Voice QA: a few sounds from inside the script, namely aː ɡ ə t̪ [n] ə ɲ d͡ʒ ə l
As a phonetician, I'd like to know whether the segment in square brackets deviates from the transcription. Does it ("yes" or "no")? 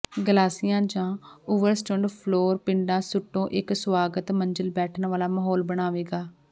yes